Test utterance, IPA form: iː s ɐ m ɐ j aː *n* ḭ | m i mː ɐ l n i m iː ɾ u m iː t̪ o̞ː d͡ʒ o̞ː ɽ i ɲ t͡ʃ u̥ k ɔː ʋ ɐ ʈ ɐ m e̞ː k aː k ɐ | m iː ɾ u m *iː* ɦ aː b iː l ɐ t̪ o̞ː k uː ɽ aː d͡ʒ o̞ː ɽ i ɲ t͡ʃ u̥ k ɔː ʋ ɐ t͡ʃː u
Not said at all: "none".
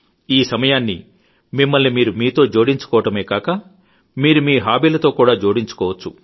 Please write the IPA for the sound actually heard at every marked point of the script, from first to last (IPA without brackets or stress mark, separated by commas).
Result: nː, iː